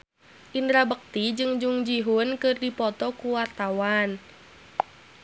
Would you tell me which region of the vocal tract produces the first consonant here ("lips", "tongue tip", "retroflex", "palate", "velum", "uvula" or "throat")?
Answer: throat